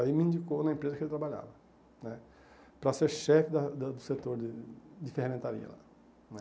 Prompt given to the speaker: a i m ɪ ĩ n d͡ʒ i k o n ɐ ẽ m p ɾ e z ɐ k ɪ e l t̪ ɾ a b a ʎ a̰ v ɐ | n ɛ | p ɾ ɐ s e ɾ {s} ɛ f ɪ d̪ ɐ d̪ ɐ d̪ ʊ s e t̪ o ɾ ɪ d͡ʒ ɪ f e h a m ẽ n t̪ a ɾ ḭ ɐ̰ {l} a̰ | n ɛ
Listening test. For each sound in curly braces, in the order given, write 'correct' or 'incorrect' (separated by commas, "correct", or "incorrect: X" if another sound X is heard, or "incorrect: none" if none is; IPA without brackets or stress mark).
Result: incorrect: ʃ, correct